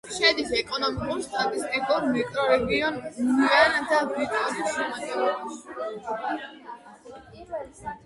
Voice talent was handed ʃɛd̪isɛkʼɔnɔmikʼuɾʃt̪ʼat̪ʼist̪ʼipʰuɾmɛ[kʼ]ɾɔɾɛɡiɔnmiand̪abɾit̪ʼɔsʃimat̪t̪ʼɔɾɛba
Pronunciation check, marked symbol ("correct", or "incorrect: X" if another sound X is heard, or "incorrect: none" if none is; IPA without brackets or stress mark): correct